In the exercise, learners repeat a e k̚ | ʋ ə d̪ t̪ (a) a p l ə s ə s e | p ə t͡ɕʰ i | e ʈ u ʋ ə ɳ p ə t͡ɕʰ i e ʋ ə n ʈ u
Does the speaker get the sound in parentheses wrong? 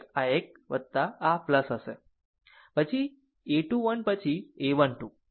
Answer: no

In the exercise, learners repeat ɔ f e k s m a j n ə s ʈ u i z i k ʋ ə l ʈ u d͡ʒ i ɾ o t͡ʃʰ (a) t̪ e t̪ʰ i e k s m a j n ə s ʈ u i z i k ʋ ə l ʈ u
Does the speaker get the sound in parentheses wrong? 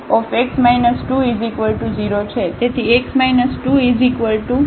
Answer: yes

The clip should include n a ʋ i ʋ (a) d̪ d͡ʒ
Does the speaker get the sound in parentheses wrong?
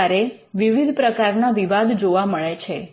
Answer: no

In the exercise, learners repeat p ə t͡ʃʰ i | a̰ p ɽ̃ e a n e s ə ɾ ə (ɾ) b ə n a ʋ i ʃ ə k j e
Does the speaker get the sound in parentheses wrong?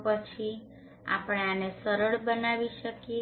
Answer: yes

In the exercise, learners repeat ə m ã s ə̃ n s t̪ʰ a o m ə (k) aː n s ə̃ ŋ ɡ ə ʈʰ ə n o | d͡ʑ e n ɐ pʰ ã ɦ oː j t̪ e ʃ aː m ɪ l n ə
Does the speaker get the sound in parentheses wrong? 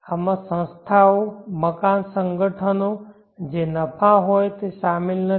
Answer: no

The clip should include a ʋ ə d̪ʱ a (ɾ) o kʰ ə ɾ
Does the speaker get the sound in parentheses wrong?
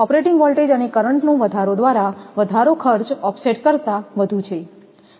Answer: no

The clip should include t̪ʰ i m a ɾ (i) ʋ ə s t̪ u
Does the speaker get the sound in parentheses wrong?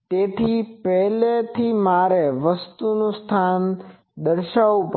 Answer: yes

